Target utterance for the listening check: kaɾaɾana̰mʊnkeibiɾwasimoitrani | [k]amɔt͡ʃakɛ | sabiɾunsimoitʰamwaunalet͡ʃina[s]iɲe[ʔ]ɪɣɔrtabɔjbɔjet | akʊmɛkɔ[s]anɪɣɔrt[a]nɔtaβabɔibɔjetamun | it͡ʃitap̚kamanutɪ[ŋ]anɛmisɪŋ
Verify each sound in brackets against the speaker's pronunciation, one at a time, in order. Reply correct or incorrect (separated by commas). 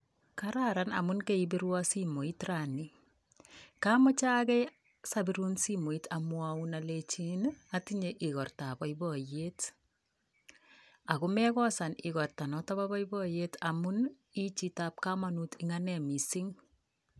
correct, incorrect, correct, correct, correct, correct